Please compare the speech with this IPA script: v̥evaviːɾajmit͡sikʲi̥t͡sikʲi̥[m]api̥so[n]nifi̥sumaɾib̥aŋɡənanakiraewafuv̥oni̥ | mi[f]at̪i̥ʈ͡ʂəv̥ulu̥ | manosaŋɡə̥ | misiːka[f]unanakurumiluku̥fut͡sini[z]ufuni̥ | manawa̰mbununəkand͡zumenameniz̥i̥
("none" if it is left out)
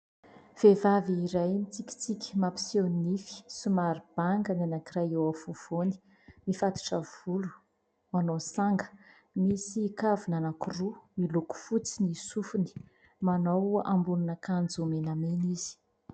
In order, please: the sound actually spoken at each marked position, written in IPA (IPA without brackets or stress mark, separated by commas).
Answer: m, n, f, v, s